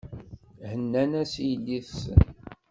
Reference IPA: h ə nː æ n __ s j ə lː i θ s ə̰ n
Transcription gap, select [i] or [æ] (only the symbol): æ